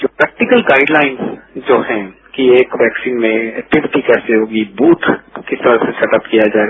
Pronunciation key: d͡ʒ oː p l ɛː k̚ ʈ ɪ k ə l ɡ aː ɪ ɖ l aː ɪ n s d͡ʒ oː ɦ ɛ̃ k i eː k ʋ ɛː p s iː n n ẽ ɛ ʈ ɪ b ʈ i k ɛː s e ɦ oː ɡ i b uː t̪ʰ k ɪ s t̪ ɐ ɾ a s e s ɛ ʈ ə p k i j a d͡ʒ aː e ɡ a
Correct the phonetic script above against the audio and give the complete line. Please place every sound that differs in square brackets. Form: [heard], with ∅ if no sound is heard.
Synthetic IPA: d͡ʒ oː p [ɾ] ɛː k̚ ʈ ɪ k ə l ɡ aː ɪ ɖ l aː ɪ n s d͡ʒ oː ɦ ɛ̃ k i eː k ʋ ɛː [k] s iː n [m] ẽ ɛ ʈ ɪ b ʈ i k ɛː s e ɦ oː ɡ i b uː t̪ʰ k ɪ s t̪ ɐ ɾ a s e s ɛ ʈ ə p k i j a d͡ʒ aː e ɡ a